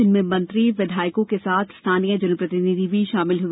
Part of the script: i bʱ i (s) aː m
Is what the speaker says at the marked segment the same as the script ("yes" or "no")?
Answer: no